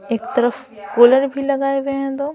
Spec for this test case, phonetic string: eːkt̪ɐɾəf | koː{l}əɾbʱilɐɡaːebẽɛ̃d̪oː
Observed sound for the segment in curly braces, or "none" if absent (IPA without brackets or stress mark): l